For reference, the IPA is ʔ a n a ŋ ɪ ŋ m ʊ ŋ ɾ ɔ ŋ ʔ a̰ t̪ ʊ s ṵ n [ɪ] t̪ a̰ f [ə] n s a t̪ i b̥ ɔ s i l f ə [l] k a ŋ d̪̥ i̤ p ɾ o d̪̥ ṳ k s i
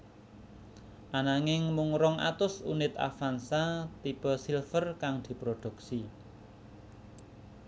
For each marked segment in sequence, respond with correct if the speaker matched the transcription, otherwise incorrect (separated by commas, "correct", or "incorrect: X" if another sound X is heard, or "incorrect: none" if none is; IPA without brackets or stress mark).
correct, incorrect: a, incorrect: r